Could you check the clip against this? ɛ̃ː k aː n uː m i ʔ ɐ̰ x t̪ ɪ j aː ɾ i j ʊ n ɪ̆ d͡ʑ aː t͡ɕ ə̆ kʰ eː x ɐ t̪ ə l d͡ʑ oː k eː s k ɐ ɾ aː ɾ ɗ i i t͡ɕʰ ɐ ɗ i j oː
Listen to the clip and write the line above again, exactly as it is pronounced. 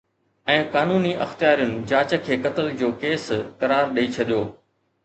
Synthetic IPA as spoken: ɛ̃ː k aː n uː n i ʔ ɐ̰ x t̪ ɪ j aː ɾ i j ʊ n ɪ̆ d͡ʑ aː t͡ɕ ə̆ kʰ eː k ɐ t̪ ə l d͡ʑ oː k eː s k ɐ ɾ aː ɾ ɗ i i t͡ɕʰ ɐ ɗ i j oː

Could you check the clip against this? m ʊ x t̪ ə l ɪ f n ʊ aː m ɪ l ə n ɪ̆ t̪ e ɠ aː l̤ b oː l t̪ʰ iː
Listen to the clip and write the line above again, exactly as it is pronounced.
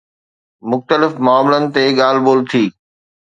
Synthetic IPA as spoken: m ʊ x t̪ ə l ɪ f m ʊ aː m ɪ l ə n ɪ̆ t̪ e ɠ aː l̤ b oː l t̪ʰ iː

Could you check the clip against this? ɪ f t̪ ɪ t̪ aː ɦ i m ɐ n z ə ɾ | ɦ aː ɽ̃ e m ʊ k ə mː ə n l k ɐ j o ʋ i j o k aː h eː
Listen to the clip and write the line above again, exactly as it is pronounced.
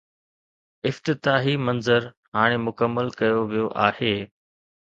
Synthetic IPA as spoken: ɪ f t̪ ɪ t̪ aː ɦ i m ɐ n z ə ɾ | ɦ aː ɽ̃ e m ʊ k ə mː ə l k ɐ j o ʋ i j o ʔ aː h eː

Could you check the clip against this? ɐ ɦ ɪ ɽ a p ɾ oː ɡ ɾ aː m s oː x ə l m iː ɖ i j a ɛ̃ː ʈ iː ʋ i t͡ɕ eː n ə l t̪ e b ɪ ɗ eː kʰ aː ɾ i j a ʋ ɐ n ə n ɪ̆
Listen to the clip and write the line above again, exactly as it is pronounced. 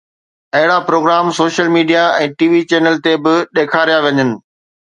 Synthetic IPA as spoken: ɐ ɦ ɪ ɽ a p ɾ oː ɡ ɾ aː m s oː ʃ ə l m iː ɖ i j a ɛ̃ː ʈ iː ʋ i t͡ɕ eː n ə l t̪ e b ɪ ɗ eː kʰ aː ɾ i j a ʋ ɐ ɲ ə n ɪ̆

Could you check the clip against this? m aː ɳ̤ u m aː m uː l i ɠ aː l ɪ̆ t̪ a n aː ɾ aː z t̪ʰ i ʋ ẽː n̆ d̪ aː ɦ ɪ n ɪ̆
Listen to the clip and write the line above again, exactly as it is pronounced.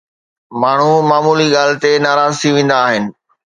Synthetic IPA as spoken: m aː ɳ̤ u m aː m uː l i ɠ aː l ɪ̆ t̪ e n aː ɾ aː z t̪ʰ i ʋ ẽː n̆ d̪ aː ɦ ɪ n ɪ̆

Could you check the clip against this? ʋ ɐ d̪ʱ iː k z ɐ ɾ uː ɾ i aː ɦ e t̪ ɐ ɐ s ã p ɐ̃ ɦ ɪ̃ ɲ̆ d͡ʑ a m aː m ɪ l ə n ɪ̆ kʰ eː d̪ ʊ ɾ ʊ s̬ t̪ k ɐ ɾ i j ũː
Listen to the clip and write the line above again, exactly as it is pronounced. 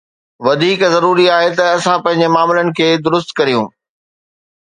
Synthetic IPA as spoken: ʋ ɐ d̪ʱ iː k z ɐ ɾ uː ɾ i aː ɦ e t̪ ɐ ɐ s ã p ɐ̃ ɦ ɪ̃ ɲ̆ d͡ʑ e m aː m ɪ l ə n ɪ̆ kʰ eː d̪ ʊ ɾ ʊ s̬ t̪ k ɐ ɾ i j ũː

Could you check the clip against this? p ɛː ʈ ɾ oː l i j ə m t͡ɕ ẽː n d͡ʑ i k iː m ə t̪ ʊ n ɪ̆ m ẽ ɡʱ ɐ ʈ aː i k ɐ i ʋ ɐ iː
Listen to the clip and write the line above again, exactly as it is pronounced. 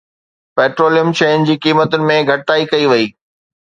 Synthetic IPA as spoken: p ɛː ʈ ɾ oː l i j ə m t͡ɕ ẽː n d͡ʑ iː k iː m ə t̪ ʊ n ɪ̆ m ẽ ɡʱ ɐ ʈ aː i k ɐ i ʋ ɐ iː

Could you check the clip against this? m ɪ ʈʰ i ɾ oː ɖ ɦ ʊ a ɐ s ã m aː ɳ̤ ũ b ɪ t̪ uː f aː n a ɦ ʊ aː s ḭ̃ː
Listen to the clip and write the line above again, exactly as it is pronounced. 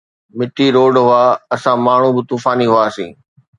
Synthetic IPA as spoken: m ɪ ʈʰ i ɾ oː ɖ ɦ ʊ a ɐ s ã m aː ɳ̤ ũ b ɪ t̪ uː f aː n i ɦ ʊ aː s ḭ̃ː

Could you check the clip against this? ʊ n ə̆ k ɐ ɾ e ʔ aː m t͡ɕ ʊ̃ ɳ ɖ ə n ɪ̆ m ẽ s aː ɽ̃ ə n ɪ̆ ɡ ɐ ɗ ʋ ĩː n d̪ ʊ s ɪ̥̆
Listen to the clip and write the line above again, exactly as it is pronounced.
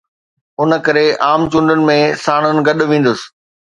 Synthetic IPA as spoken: ʊ n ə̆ k ɐ ɾ e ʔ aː m t͡ɕ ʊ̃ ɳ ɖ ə n ɪ̆ m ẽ s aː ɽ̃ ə n ɪ̆ ɡ ɐ ɗ ʋ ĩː n d̪ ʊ s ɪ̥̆

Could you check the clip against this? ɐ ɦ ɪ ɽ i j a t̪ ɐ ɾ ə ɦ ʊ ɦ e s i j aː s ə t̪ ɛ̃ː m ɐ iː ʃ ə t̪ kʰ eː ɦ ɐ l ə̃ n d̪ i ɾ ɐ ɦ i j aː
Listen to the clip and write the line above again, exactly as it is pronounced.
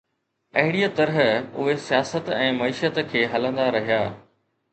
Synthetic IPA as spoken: ɐ ɦ ɪ ɽ i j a t̪ ɐ ɾ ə ɦ ʊ ɦ e s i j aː s ə t̪ ɛ̃ː m ɐ iː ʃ ə t̪ kʰ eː ɦ ɐ l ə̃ n d̪ a ɾ ɐ ɦ i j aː

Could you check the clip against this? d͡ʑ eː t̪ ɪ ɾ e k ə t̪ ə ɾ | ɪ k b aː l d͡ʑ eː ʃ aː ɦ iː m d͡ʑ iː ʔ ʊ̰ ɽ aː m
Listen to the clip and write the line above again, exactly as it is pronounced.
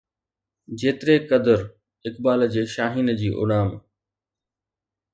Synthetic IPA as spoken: d͡ʑ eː t̪ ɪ ɾ e k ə d̪ ə ɾ | ɪ k b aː l d͡ʑ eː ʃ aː ɦ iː n d͡ʑ iː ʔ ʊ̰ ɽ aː m

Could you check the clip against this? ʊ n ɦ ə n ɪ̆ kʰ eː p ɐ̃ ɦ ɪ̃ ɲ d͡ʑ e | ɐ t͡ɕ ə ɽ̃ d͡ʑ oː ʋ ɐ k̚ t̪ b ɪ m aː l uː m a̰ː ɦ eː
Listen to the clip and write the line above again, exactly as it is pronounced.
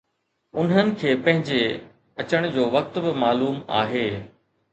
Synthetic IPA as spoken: ʊ n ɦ ə n ɪ̆ kʰ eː p ɐ̃ ɦ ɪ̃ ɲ d͡ʑ e | ɐ t͡ɕ ə ɽ̃ d͡ʑ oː ʋ ɐ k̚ t̪ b ɪ m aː l uː m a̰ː ɦ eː

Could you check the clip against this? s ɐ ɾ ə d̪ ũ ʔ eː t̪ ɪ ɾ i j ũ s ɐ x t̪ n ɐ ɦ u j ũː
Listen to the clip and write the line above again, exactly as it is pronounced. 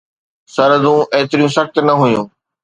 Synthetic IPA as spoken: s ɐ ɾ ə d̪ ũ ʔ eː t̪ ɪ ɾ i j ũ s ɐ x t̪ n ɐ ɦ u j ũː

